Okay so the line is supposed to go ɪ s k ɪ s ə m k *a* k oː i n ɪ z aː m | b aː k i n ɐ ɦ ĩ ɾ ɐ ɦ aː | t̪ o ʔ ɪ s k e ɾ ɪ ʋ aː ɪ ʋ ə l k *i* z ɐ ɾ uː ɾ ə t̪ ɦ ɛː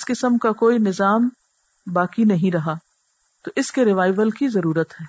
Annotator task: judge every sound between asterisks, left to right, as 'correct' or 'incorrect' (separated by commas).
correct, correct